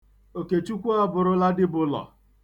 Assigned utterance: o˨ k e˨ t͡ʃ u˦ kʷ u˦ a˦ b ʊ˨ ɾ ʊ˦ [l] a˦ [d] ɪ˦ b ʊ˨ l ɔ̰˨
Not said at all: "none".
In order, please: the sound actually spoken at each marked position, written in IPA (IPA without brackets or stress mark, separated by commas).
l, d